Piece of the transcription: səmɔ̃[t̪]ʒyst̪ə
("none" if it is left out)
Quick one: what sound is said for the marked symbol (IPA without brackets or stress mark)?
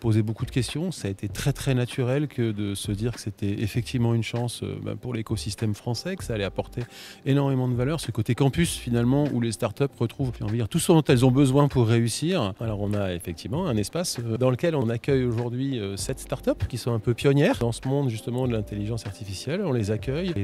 d̪